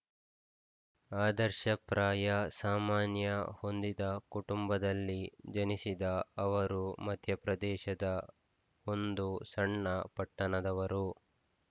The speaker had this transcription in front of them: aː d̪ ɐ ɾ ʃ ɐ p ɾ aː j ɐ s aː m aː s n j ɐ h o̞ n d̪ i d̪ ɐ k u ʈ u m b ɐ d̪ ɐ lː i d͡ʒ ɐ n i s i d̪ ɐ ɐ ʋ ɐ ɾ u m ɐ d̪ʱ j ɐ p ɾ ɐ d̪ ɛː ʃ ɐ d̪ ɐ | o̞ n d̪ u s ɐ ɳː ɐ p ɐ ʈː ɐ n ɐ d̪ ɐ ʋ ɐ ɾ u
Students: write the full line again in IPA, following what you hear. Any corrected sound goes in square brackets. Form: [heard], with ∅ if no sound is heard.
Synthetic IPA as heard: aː d̪ ɐ ɾ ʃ ɐ p ɾ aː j ɐ s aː m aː [∅] n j ɐ h o̞ n d̪ i d̪ ɐ k u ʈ u m b ɐ d̪ ɐ lː i d͡ʒ ɐ n i s i d̪ ɐ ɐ ʋ ɐ ɾ u m ɐ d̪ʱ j ɐ p ɾ ɐ d̪ ɛː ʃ ɐ d̪ ɐ | o̞ n d̪ u s ɐ ɳː ɐ p ɐ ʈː ɐ n ɐ d̪ ɐ ʋ ɐ ɾ u